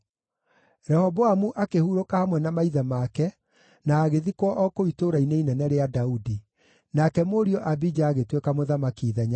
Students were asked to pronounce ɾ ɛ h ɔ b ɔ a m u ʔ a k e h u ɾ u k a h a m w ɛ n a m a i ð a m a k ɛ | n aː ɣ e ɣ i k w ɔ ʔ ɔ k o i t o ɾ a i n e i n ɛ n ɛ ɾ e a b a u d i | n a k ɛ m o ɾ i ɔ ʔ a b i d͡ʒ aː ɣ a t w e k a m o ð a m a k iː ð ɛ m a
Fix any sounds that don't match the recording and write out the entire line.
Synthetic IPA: ɾ ɛ h ɔ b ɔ a m u ʔ a k e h u ɾ o k a h a m w ɛ n a m a i ð a m a k ɛ | n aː ɣ e ð i k w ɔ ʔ ɔ k o i t o ɾ a i n e i n ɛ n ɛ ɾ e a d a u d i | n a k ɛ m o ɾ i ɔ ʔ a b i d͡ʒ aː ɣ e t w e k a m o ð a m a k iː ð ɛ ɲ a

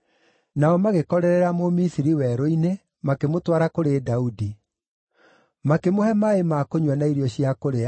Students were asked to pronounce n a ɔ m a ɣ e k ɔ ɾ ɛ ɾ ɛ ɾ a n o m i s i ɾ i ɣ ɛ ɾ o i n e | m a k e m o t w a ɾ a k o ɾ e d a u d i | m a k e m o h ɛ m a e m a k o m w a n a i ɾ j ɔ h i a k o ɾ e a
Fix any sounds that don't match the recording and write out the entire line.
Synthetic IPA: n a ɔ m a ɣ e k ɔ ɾ ɛ ɾ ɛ ɾ a m o m i s i ɾ i w ɛ ɾ o i n e | m a k e m o t w a ɾ a k o ɾ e d a u d i | m a k e m o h ɛ m a e m a k o ɲ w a n a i ɾ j ɔ ɕ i a k o ɾ e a

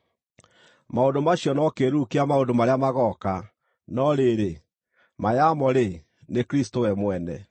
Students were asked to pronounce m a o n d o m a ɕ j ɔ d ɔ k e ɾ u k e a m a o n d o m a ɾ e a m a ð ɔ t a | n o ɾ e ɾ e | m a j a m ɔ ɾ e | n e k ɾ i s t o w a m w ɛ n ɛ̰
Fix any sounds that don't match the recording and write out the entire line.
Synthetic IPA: m a o n d o m a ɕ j ɔ n ɔ k e ɾ u k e a m a o n d o m a ɾ e a m a ɣ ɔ k a | n ɔ ɾ e ɾ e | m a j a m ɔ ɾ e | n e k ɾ i s t o w ɛ m w ɛ n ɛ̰

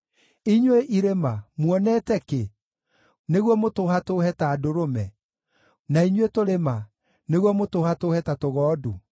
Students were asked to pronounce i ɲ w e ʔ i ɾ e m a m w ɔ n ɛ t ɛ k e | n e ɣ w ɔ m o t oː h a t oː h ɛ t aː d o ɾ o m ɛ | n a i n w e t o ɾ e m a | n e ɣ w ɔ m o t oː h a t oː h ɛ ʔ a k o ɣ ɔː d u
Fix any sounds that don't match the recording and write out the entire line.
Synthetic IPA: i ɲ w e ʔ i ɾ e m a m w ɔ n ɛ t ɛ k e | n e ɣ w ɔ m o t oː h a t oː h ɛ t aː d o ɾ o m ɛ | n a i ɲ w e t o ɾ e m a | n e ɣ w ɔ m o t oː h a t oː h ɛ t a t o ɣ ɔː d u

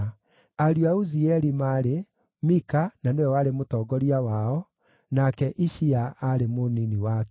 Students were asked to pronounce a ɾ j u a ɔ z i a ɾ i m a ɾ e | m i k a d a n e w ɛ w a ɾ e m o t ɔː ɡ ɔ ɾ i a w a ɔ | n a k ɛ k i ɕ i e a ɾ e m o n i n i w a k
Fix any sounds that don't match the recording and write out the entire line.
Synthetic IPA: a ɾ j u a u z i ɛ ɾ i m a ɾ e | m i k a n a n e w ɛ w a ɾ e m o t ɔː ɡ ɔ ɾ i a w a ɔ | n a k ɛ ʔ i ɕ i a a ɾ e m o n i n i w a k

